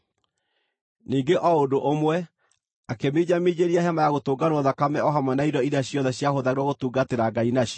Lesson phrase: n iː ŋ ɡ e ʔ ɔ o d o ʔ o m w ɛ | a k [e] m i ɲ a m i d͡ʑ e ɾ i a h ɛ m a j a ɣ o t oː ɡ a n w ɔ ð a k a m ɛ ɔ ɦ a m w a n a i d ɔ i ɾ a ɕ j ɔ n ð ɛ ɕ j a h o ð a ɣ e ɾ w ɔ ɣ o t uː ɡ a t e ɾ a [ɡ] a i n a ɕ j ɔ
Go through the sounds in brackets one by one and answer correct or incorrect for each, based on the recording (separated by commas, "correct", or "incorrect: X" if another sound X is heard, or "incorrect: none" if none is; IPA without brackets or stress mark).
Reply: correct, correct